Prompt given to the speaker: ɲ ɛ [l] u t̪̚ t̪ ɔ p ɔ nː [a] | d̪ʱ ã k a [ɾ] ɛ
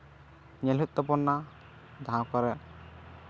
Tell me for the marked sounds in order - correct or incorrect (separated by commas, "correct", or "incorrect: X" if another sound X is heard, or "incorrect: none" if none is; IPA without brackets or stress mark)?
correct, correct, correct